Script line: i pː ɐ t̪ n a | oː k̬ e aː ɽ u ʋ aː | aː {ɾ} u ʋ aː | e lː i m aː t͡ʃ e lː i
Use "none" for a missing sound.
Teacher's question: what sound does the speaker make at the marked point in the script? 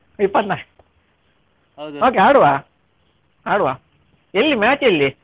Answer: ɽ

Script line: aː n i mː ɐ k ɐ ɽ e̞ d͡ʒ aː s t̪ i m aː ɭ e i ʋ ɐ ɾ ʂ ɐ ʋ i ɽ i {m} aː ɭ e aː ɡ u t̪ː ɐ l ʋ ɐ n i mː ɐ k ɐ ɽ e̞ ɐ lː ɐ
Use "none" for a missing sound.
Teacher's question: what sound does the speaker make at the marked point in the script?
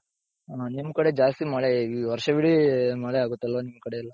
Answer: m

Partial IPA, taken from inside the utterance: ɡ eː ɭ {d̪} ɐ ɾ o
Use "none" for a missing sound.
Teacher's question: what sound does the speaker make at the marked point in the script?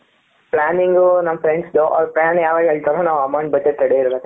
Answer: t̪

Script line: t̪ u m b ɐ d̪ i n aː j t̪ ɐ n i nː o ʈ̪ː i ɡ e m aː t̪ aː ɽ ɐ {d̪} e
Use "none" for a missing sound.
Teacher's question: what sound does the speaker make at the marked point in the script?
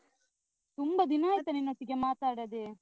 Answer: d̪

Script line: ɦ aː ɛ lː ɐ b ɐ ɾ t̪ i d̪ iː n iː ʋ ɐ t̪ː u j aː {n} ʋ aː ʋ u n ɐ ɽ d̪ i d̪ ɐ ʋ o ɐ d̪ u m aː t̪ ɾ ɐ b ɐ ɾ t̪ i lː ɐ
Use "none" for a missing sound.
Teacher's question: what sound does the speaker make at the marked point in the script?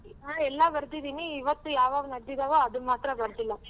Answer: none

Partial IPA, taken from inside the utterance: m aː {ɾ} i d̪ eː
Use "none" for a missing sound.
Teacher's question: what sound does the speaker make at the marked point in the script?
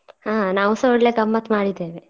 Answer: ɽ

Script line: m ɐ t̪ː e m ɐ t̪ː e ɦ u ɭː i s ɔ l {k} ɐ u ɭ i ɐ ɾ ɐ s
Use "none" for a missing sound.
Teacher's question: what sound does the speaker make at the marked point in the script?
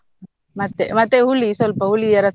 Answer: p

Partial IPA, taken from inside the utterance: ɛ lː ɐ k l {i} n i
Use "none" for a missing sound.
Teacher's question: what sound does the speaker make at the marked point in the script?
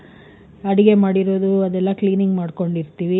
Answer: iː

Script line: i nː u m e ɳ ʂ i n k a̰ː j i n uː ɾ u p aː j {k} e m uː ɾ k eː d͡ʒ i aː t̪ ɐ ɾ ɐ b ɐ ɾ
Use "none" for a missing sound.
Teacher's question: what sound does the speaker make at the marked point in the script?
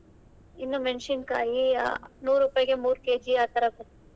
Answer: ɡ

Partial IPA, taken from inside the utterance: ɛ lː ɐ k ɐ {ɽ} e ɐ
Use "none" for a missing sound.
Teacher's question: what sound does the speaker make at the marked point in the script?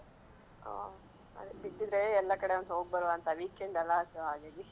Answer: ɽ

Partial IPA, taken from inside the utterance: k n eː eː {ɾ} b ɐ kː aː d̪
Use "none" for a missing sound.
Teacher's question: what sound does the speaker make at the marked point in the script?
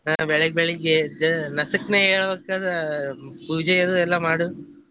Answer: ɭ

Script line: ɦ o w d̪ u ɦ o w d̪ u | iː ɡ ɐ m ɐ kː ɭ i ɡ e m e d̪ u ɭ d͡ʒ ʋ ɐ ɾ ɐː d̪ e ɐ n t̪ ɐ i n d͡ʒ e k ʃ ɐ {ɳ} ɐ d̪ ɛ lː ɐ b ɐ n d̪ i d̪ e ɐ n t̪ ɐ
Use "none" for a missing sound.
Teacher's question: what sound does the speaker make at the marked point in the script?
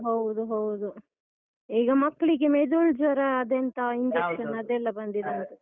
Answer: n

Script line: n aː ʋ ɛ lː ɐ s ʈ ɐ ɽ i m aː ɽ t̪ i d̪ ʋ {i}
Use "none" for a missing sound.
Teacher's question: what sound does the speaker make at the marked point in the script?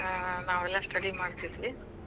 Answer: i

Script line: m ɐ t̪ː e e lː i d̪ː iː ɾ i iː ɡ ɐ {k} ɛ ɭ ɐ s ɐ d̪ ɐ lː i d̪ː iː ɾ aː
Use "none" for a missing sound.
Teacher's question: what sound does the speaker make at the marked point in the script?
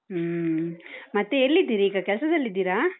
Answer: k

